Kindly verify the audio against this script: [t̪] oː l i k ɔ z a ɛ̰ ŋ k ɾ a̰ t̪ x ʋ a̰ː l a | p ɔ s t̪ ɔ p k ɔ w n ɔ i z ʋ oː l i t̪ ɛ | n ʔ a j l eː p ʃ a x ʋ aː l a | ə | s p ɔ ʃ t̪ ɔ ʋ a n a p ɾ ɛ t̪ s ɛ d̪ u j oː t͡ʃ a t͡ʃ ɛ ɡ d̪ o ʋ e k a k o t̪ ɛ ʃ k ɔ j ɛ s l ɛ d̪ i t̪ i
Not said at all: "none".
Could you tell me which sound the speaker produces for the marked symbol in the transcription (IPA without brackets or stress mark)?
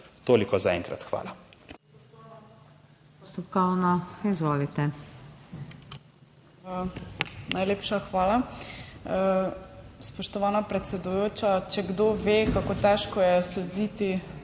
t̪